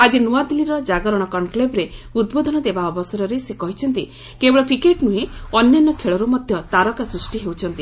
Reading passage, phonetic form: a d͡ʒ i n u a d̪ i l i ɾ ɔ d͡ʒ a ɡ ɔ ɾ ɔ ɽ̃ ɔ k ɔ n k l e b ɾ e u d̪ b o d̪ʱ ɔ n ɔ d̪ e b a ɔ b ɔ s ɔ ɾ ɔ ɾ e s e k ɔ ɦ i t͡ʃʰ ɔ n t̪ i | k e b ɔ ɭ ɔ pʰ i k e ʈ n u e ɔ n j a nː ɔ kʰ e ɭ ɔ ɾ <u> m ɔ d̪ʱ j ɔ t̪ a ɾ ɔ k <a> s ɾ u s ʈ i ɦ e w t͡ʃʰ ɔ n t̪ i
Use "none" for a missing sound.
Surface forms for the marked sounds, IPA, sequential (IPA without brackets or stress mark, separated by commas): u, a